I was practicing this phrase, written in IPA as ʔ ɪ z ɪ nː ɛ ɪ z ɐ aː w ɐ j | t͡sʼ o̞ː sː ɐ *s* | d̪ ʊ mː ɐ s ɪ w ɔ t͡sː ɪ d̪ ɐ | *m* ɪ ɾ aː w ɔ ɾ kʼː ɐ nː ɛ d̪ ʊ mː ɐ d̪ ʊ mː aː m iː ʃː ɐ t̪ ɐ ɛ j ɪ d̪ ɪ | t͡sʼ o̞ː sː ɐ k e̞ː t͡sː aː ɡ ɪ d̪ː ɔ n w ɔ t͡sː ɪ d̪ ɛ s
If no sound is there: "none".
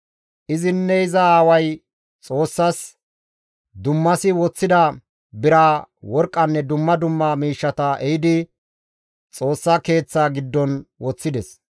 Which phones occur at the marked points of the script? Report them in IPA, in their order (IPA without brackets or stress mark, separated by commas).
s, b